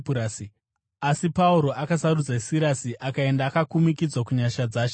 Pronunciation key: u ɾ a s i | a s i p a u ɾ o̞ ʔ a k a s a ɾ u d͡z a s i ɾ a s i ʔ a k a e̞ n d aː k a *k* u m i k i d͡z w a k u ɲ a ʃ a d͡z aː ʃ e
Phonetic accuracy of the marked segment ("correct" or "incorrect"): correct